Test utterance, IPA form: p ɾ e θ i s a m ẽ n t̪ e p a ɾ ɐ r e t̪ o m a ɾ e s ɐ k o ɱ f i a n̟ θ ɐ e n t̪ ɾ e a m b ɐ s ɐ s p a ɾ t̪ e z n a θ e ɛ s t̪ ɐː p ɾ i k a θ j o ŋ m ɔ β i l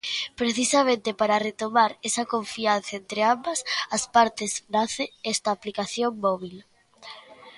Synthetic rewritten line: p ɾ e θ i s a m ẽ n t̪ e p a ɾ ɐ r e t̪ o m a ɾ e s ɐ k o ɱ f i a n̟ θ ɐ e n t̪ ɾ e a m b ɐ s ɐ s p a ɾ t̪ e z n a θ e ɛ s t̪ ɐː p l i k a θ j o ŋ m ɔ β i l